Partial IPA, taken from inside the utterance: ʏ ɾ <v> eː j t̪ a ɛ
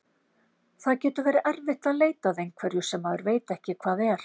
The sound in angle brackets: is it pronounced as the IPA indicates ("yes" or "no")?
yes